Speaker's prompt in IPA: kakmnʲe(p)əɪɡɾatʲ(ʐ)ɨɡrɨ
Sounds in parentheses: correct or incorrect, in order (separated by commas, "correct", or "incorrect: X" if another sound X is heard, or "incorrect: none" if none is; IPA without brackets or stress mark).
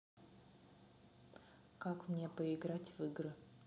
correct, incorrect: v